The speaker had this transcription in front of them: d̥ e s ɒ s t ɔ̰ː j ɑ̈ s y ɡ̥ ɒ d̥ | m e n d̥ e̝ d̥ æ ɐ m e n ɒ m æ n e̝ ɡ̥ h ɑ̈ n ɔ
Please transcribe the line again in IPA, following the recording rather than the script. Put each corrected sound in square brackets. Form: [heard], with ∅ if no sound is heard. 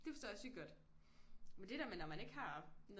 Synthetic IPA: d̥ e [f] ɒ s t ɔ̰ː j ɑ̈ s y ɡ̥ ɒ d̥ | m e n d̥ e̝ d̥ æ ɐ m e n ɒ m æ n e̝ ɡ̥ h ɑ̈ n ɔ